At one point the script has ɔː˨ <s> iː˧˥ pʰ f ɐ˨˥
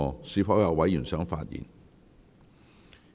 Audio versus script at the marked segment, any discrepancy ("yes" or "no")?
no